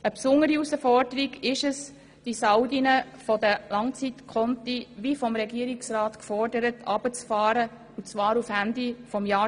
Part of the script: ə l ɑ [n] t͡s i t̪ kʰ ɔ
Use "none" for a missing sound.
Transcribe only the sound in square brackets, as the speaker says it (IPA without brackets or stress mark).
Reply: ŋ